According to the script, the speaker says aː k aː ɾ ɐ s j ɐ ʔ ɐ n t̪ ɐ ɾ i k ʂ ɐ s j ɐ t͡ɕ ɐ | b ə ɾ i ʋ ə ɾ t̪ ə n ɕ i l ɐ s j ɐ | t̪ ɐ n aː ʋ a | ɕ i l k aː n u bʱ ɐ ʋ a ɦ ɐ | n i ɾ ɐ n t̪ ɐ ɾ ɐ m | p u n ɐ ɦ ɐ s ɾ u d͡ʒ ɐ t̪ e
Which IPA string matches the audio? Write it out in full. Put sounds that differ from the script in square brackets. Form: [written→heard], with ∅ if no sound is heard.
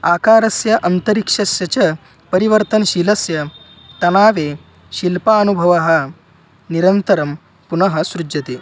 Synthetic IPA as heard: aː k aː ɾ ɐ s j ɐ ʔ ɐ n t̪ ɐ ɾ i k ʂ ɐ s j ɐ t͡ɕ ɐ | [b→p] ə ɾ i ʋ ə ɾ t̪ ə n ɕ i l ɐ s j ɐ | t̪ ɐ n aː ʋ [a→e] | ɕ i l [k→p] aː n u bʱ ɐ ʋ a ɦ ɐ | n i ɾ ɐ n t̪ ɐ ɾ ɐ m | p u n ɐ ɦ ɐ s ɾ u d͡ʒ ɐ t̪ e